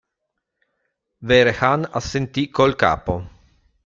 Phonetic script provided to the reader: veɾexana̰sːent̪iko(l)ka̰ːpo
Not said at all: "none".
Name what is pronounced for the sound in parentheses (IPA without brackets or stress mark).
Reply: l